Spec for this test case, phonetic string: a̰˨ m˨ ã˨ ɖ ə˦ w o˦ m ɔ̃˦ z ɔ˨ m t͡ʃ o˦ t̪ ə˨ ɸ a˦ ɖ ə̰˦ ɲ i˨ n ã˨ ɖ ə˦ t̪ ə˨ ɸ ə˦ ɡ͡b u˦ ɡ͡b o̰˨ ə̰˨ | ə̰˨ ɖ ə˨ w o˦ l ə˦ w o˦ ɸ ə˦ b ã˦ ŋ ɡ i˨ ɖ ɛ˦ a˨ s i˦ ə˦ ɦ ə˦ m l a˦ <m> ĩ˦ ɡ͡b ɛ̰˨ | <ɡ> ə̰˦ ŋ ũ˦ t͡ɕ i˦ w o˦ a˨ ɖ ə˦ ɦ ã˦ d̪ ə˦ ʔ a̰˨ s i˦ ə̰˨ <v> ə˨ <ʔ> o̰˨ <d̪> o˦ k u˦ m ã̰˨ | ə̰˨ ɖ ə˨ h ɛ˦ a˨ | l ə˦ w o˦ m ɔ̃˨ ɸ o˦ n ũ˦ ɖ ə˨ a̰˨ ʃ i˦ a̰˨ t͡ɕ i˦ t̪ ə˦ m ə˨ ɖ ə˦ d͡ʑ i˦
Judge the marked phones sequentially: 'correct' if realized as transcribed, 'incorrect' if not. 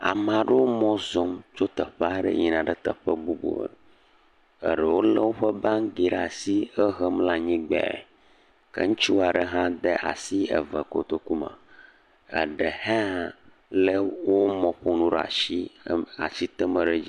incorrect, incorrect, correct, incorrect, incorrect

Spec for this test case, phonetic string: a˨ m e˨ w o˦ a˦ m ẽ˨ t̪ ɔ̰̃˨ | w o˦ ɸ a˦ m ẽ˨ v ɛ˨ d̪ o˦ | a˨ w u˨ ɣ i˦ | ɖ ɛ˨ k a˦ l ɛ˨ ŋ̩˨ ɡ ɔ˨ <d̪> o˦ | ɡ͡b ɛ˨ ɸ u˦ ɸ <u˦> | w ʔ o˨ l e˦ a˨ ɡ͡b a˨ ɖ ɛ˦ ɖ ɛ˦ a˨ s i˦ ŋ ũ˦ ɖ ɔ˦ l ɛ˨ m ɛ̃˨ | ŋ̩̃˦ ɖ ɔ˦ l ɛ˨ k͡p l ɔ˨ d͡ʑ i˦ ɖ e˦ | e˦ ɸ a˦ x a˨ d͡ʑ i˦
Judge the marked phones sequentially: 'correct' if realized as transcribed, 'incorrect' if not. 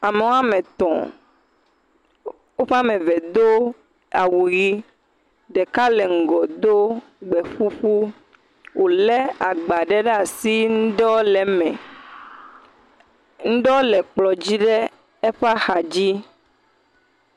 correct, correct

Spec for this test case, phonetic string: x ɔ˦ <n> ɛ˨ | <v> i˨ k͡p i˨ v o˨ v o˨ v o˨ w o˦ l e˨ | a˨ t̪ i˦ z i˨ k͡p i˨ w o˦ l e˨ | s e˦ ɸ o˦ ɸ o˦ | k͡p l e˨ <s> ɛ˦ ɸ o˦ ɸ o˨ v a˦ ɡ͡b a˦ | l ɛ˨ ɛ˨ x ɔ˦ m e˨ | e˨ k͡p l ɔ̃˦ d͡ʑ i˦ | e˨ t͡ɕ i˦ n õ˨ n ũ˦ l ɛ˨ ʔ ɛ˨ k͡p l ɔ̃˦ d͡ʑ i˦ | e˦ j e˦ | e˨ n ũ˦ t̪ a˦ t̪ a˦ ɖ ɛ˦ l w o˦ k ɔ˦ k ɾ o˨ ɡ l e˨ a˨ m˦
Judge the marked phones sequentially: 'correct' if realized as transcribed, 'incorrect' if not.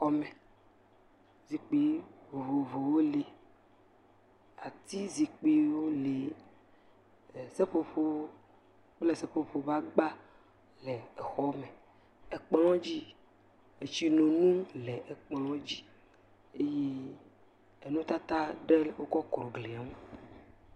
incorrect, incorrect, correct

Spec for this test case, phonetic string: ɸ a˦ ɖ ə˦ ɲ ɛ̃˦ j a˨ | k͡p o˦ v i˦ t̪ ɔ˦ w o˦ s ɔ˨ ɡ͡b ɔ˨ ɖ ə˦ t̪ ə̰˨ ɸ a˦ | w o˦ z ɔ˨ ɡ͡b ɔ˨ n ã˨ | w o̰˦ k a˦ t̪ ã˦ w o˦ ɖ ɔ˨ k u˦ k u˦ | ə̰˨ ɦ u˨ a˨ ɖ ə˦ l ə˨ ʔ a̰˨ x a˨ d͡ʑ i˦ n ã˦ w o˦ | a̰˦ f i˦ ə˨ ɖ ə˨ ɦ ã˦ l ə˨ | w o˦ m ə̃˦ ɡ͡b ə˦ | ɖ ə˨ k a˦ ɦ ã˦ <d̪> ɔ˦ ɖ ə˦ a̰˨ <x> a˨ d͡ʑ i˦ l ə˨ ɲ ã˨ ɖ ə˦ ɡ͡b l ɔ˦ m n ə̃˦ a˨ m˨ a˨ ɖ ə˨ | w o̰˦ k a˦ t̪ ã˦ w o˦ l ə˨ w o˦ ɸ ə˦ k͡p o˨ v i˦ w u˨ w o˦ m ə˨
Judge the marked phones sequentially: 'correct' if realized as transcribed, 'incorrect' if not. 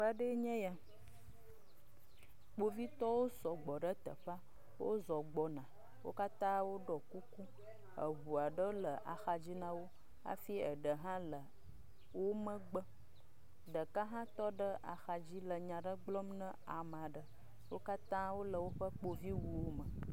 incorrect, correct

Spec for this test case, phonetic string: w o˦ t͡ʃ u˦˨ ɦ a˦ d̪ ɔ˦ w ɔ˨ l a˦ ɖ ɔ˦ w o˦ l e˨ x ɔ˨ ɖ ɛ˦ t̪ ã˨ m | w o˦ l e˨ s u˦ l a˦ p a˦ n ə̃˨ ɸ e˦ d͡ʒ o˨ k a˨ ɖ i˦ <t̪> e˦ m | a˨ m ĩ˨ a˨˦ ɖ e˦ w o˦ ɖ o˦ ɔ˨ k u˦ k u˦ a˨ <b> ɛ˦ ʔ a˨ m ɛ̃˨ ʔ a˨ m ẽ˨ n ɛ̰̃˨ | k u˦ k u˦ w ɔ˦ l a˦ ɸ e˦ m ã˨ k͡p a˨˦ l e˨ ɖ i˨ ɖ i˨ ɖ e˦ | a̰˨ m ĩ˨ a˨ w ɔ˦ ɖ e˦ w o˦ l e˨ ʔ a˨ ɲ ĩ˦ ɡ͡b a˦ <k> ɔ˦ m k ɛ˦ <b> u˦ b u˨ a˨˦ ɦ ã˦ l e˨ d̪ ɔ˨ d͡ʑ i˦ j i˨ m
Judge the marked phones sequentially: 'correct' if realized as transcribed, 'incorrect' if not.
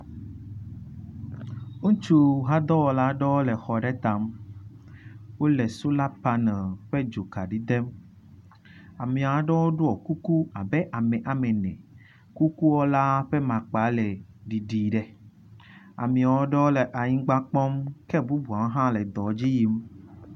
incorrect, correct, incorrect, correct

